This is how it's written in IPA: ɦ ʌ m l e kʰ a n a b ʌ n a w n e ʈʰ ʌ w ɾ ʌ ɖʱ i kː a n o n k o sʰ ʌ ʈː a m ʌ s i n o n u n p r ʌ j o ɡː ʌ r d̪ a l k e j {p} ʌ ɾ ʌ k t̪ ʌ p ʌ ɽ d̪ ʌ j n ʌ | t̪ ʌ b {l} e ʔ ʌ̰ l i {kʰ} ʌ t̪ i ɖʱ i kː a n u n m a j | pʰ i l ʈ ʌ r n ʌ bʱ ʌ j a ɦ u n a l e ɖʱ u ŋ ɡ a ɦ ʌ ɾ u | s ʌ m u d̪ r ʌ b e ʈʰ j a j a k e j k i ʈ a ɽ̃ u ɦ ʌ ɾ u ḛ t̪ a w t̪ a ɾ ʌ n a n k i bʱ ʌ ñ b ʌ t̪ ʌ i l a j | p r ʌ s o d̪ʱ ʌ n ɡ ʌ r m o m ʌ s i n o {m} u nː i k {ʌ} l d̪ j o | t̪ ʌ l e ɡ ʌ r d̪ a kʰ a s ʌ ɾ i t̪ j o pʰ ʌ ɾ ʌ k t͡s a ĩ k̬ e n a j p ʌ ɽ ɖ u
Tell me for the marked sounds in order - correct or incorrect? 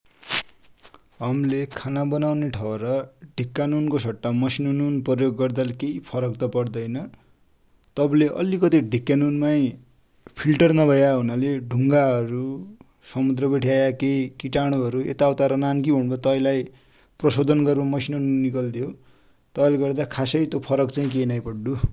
incorrect, correct, incorrect, incorrect, correct

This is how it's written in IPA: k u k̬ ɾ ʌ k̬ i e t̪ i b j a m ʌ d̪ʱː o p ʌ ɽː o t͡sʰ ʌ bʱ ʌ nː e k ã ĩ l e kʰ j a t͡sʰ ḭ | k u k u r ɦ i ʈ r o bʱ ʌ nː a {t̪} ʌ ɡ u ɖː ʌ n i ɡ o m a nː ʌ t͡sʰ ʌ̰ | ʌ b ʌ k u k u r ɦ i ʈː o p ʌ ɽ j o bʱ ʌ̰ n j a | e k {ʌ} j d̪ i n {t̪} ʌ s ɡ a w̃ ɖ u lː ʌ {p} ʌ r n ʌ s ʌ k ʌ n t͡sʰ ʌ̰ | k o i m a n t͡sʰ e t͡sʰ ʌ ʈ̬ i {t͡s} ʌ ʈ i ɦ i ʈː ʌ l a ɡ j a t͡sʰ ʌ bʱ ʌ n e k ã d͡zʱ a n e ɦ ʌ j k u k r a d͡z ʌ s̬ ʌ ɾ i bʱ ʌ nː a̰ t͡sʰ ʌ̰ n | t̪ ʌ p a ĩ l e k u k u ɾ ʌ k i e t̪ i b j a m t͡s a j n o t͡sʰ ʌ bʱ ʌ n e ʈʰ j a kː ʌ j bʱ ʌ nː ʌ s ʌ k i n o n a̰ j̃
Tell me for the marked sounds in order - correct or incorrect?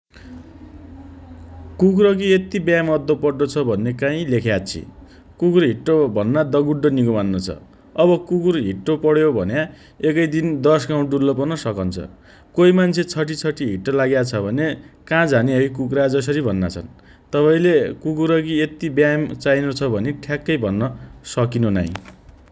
incorrect, correct, incorrect, correct, incorrect

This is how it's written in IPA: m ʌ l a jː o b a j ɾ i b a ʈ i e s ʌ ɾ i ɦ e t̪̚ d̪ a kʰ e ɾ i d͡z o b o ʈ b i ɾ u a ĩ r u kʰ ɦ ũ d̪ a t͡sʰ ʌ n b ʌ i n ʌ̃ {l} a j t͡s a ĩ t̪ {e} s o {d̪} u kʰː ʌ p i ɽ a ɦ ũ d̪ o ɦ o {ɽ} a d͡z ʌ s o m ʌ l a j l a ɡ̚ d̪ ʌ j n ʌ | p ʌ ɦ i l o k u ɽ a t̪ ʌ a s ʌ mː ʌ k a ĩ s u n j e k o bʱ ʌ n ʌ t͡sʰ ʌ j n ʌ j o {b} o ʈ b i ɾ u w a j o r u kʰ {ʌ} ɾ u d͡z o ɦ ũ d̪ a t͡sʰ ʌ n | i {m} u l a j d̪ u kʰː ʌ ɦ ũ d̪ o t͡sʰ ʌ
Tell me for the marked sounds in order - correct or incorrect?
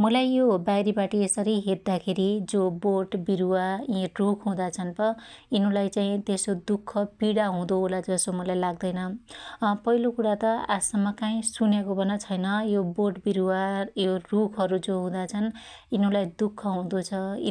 correct, correct, correct, incorrect, correct, correct, incorrect

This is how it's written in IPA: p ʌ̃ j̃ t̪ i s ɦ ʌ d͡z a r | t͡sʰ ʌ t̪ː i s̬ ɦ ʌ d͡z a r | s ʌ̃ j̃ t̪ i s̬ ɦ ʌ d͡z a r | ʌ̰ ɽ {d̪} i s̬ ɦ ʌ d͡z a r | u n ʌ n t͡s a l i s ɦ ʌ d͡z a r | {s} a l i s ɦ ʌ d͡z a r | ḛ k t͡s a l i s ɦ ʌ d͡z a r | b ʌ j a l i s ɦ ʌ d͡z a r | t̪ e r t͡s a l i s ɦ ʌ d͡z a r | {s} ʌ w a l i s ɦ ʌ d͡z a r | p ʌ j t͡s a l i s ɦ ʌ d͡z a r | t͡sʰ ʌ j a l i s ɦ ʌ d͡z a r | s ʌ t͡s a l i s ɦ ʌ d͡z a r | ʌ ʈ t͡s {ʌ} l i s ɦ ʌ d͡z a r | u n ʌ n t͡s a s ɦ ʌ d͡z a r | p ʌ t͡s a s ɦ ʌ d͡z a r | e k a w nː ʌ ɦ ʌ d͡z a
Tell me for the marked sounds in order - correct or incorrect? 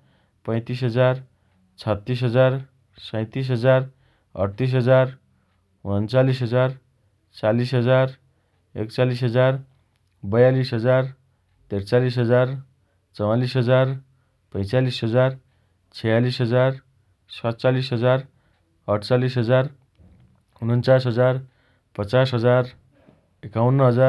incorrect, incorrect, incorrect, incorrect

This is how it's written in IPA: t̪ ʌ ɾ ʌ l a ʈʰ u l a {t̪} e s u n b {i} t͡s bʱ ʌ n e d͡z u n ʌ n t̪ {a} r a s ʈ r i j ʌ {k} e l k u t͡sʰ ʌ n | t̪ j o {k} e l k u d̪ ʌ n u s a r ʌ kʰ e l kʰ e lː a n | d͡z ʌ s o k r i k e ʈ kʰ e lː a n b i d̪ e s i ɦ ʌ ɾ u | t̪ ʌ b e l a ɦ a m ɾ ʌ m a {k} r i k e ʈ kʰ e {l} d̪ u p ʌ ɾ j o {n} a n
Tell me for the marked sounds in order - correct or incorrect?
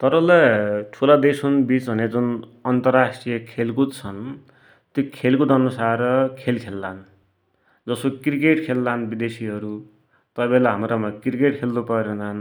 incorrect, correct, incorrect, incorrect, incorrect, correct, correct, correct

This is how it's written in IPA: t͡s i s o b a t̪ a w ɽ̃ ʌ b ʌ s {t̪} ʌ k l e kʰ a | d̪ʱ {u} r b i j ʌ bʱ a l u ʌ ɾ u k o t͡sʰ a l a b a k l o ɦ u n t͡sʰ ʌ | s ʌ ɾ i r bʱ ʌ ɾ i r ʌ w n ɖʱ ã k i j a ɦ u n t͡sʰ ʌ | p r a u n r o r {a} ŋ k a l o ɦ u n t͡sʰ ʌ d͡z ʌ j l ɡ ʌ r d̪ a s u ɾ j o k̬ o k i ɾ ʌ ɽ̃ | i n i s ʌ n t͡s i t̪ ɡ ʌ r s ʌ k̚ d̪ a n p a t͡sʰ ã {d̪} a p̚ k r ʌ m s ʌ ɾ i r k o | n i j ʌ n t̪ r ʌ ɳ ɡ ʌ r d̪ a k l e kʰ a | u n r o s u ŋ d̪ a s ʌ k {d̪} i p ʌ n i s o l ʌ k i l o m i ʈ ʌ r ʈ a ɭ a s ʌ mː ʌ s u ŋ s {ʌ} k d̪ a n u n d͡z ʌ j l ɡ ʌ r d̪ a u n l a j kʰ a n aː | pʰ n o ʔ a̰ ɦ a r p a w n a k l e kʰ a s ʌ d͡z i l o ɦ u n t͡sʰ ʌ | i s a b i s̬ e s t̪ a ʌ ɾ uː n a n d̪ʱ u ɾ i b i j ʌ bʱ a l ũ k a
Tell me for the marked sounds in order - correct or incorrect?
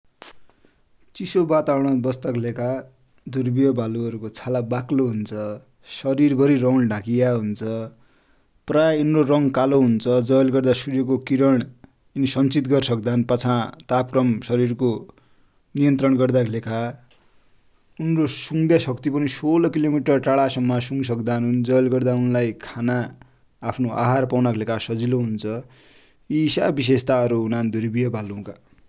correct, correct, incorrect, incorrect, incorrect, correct

